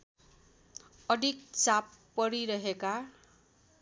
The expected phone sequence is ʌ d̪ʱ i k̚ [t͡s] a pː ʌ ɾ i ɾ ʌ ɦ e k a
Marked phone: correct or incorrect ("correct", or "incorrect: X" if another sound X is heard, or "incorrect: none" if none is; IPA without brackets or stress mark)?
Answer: correct